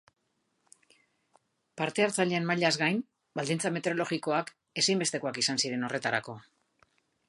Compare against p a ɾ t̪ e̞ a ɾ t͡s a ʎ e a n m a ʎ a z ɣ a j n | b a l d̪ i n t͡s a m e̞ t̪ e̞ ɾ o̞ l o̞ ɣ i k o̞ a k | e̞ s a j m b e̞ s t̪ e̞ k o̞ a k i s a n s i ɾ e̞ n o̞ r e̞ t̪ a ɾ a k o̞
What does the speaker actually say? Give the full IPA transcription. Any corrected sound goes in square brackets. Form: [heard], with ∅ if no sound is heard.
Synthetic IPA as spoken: p a ɾ t̪ e̞ a ɾ t͡s a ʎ e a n m a ʎ a z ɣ a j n | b a l d̪ i n t͡s a m e̞ t̪ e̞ ɾ o̞ l o̞ ɣ i k o̞ a k | e̞ s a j m b e̞ s t̪ e̞ k o̞ a k i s a n s i ɾ e̞ n o̞ r e̞ t̪ a ɾ a k o̞